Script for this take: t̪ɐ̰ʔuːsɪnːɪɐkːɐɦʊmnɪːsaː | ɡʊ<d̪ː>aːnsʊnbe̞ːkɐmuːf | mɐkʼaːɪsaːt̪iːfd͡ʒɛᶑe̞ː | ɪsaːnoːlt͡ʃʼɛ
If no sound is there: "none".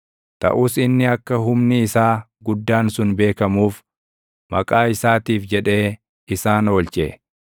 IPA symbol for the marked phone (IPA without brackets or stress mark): d̪ː